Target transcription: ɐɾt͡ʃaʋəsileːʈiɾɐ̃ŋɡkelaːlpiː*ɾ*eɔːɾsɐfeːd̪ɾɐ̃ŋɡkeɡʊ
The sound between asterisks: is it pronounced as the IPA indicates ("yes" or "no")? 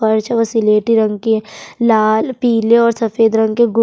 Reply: no